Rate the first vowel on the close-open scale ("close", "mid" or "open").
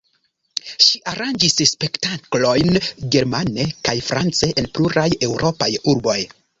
close